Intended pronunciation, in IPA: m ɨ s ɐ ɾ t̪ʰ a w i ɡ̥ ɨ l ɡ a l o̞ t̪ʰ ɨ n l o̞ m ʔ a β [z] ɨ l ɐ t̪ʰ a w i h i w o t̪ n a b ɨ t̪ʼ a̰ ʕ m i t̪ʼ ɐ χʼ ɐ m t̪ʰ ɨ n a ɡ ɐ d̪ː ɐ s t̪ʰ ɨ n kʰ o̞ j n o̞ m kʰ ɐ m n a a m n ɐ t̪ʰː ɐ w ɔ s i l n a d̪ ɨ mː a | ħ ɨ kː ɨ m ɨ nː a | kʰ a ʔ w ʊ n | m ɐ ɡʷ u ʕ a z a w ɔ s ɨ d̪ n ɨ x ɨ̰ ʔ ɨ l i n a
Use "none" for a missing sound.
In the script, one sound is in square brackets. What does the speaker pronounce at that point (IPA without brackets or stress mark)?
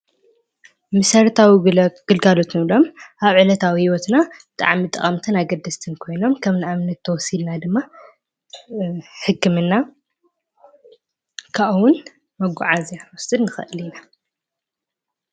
ʕ